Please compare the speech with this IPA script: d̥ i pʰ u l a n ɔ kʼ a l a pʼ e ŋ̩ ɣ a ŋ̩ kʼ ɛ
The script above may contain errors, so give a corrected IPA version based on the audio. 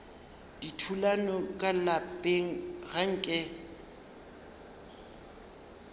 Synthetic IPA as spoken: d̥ i tʰ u l a n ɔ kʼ a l a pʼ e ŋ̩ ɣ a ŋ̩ kʼ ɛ